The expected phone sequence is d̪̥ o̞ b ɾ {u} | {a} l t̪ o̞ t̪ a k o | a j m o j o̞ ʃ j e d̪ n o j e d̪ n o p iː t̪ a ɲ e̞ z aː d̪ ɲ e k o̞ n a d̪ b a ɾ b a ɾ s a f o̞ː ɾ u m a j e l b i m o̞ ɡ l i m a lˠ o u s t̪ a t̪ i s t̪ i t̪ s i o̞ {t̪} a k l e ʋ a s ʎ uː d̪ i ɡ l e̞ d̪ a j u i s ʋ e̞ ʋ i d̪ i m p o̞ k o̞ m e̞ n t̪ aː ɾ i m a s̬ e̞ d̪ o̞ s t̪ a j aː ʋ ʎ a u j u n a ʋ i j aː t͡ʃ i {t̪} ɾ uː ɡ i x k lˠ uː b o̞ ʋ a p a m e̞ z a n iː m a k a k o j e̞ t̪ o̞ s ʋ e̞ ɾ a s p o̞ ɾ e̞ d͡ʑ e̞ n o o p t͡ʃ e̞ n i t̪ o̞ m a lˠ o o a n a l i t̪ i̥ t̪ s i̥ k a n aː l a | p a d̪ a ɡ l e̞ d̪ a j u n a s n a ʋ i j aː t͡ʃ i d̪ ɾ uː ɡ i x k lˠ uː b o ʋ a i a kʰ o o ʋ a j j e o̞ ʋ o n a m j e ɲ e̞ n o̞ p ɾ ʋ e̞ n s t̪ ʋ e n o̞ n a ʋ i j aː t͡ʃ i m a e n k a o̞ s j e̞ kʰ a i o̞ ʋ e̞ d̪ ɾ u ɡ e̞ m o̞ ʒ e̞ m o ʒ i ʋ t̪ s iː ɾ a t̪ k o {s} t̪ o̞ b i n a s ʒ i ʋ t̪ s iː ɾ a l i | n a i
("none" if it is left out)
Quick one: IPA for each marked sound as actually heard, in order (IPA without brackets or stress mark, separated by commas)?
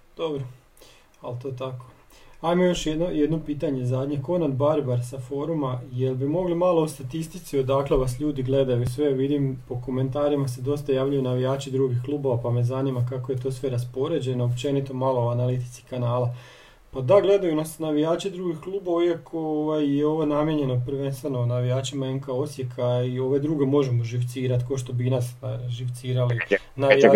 o, a, d̪, d̪, ʃ